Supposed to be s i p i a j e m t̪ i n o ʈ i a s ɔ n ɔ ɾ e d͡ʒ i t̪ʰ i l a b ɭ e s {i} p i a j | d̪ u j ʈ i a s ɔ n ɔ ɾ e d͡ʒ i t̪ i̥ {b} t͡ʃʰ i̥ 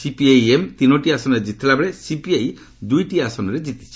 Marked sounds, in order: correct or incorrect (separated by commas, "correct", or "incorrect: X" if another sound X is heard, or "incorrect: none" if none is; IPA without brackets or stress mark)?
correct, incorrect: none